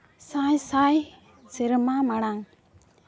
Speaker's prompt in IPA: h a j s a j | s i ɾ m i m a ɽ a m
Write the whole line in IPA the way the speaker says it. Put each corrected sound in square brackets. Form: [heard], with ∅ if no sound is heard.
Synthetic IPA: [s] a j s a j | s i ɾ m [a] m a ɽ a [ŋ]